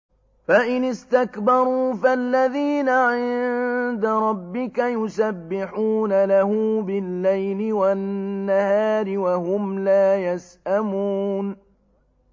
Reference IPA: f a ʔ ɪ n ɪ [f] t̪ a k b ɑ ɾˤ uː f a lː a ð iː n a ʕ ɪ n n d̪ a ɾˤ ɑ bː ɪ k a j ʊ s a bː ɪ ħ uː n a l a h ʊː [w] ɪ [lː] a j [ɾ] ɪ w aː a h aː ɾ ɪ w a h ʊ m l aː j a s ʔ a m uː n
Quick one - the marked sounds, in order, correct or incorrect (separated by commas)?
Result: incorrect, incorrect, correct, incorrect